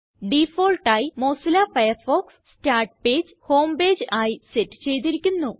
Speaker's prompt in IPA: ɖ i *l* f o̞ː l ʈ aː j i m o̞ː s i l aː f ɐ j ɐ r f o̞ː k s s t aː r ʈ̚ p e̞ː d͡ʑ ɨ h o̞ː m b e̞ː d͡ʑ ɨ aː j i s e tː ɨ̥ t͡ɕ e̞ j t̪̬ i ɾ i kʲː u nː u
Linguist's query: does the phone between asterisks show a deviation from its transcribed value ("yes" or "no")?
yes